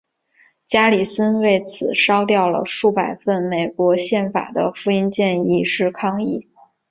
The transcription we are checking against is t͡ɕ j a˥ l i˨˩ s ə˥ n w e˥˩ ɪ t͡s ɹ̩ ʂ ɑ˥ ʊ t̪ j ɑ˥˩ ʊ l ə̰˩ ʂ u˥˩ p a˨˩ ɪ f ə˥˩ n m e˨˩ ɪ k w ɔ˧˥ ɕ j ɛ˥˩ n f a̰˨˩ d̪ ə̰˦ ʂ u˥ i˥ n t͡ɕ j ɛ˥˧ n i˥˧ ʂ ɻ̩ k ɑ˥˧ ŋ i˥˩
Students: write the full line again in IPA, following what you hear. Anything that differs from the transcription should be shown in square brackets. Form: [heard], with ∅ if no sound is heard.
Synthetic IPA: t͡ɕ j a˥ l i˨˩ s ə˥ n w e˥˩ ɪ [t͡sʰ] ɹ̩ ʂ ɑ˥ ʊ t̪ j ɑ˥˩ ʊ l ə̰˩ ʂ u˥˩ p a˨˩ ɪ f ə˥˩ n m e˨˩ ɪ k w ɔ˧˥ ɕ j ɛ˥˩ n f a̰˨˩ d̪ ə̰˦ [f] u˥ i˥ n t͡ɕ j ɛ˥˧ n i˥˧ ʂ ɻ̩ [kʰ] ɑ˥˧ ŋ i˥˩